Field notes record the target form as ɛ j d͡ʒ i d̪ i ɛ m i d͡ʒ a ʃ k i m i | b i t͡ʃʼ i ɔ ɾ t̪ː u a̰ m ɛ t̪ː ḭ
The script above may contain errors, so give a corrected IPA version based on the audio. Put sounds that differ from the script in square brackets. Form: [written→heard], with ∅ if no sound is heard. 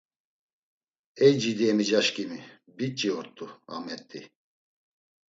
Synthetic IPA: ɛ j d͡ʒ i d̪ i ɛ m i d͡ʒ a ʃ k i m i | b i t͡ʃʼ i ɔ ɾ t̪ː u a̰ m ɛ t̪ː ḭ